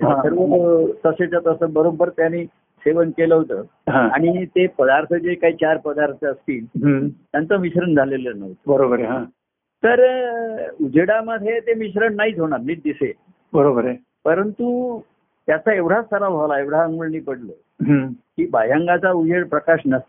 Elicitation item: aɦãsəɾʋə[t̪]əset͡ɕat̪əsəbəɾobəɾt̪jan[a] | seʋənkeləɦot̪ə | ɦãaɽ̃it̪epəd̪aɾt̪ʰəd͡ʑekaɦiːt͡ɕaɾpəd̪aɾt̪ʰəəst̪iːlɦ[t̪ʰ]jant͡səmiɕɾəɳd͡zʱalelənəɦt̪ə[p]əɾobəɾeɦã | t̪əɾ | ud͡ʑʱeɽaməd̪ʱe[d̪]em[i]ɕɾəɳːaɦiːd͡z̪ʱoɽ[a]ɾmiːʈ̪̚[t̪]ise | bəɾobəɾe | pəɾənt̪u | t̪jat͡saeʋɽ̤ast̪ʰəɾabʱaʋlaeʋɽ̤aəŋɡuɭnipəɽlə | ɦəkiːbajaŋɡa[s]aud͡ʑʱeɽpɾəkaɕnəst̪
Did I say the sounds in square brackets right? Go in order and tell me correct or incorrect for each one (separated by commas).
correct, incorrect, incorrect, incorrect, incorrect, correct, correct, incorrect, incorrect